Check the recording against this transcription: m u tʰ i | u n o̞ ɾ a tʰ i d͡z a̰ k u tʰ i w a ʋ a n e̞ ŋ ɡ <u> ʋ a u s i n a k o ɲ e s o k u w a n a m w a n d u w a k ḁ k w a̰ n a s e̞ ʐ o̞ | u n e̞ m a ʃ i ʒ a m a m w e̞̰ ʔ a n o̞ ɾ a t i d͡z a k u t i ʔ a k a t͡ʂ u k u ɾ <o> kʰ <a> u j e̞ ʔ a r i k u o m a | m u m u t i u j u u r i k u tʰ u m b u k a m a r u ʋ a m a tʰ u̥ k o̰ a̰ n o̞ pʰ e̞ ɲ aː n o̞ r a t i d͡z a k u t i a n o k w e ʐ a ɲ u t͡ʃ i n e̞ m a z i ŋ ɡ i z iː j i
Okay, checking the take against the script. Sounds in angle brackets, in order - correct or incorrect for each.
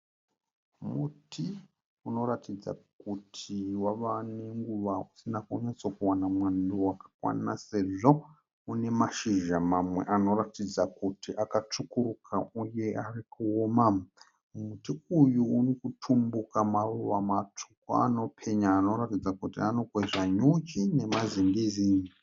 correct, incorrect, correct

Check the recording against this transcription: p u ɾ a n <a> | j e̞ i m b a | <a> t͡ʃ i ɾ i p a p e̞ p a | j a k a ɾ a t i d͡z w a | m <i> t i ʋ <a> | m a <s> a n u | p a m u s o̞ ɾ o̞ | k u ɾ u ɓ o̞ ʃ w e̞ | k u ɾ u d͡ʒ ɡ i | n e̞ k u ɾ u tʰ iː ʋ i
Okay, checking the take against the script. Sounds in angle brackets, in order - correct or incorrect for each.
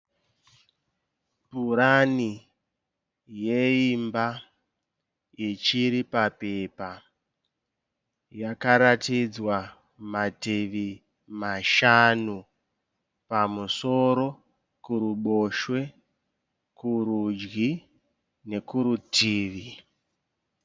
incorrect, incorrect, incorrect, incorrect, incorrect

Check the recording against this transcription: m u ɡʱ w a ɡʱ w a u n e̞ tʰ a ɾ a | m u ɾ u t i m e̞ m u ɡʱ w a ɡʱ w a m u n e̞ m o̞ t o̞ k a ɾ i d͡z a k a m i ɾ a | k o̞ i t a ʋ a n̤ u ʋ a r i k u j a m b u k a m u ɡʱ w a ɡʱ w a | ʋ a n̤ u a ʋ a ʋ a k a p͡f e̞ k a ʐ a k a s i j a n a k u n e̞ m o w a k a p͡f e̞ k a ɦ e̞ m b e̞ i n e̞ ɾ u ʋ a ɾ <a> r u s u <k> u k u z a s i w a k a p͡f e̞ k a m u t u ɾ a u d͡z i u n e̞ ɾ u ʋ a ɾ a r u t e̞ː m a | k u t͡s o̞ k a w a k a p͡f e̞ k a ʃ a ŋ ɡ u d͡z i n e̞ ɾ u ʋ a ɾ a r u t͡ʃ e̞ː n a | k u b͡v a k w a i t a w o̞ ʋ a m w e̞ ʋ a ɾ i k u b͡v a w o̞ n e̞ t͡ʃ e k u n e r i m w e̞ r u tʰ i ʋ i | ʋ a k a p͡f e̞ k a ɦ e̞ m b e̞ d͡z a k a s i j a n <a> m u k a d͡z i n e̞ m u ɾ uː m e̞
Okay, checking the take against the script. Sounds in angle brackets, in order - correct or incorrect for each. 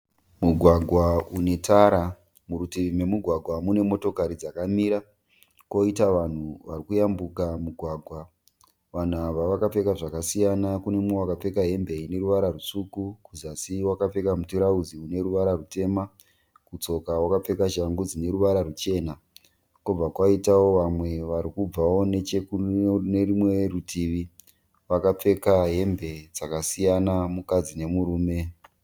correct, correct, correct

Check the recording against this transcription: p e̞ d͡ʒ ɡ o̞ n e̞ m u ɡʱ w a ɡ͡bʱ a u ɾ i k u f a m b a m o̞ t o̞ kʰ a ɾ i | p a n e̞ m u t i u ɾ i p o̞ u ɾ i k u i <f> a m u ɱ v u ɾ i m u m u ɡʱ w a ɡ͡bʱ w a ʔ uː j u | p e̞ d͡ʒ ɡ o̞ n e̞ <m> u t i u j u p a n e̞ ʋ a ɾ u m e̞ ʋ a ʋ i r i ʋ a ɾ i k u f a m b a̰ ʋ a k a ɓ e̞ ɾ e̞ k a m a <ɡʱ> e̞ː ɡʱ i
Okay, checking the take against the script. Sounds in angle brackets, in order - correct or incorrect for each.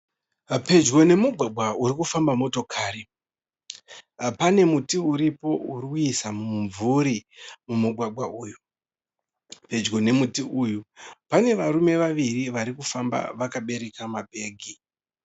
incorrect, correct, incorrect

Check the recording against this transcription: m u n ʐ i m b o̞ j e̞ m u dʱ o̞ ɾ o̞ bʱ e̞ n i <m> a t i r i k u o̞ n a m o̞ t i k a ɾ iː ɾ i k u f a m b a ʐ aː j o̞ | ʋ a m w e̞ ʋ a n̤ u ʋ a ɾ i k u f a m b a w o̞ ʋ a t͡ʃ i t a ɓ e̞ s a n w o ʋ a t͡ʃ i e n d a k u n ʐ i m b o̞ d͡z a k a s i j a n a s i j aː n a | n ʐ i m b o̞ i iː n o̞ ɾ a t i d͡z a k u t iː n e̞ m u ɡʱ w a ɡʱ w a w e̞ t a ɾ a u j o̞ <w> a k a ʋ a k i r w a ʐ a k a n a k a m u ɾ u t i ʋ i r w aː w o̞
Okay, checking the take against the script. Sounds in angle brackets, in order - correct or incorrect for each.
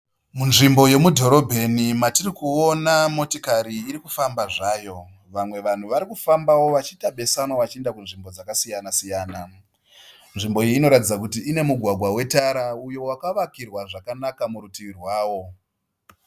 correct, correct

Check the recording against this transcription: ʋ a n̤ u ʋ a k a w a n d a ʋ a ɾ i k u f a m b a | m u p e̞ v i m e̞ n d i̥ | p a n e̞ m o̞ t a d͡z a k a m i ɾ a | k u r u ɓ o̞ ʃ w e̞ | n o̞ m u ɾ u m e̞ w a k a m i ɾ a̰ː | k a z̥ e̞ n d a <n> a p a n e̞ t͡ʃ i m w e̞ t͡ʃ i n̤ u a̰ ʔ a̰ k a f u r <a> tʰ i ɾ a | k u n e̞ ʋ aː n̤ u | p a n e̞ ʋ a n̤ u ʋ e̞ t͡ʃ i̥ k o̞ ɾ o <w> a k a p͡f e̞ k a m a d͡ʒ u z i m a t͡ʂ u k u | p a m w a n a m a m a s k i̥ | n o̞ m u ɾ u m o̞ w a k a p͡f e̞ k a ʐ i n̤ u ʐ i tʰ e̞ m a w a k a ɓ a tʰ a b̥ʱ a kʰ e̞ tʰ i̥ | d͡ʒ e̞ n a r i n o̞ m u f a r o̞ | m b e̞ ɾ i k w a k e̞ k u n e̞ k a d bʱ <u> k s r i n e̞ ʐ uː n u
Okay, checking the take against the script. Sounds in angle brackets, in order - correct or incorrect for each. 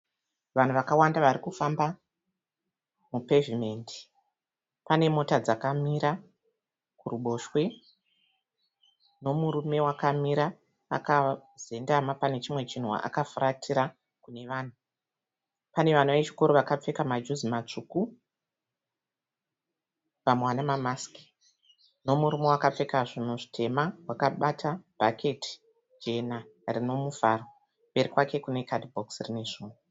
incorrect, correct, incorrect, incorrect

